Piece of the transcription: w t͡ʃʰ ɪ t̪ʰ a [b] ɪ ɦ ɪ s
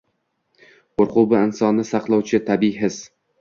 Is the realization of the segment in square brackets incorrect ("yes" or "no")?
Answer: no